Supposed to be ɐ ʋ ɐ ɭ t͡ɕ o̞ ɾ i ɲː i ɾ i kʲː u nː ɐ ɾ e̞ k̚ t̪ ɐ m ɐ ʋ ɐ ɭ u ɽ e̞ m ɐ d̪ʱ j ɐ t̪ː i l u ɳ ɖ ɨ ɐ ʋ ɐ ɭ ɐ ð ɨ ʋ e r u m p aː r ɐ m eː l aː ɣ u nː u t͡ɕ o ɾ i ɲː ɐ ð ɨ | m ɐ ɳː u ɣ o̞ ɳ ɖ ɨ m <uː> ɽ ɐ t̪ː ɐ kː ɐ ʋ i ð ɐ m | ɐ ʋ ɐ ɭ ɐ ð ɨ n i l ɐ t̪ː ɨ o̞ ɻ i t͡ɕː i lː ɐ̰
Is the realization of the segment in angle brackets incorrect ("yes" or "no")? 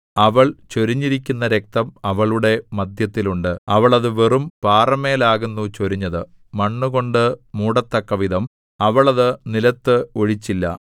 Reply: no